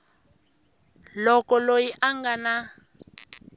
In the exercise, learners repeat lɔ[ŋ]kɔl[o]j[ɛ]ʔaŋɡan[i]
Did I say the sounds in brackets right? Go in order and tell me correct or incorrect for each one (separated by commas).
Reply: incorrect, correct, incorrect, incorrect